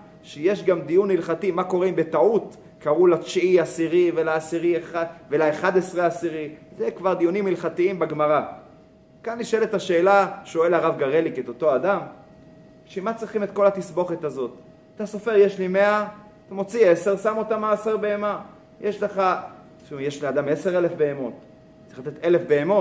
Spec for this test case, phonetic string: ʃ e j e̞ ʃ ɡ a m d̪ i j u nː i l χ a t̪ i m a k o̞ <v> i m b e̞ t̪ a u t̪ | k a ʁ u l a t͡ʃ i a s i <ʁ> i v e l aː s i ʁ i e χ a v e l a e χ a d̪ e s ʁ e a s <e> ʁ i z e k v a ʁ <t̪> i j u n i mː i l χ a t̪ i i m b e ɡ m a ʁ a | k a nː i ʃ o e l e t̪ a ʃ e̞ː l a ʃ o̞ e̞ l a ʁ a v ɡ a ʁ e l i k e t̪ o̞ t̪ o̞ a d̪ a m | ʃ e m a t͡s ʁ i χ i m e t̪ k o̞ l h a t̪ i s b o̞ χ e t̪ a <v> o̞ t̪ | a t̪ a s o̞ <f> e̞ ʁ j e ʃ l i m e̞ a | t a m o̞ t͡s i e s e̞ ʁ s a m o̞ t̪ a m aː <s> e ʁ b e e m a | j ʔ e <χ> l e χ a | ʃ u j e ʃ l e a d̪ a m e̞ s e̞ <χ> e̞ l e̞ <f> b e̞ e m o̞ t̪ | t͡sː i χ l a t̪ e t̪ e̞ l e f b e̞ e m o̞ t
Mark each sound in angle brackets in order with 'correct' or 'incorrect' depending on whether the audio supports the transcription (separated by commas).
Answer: incorrect, correct, incorrect, incorrect, incorrect, correct, correct, incorrect, incorrect, correct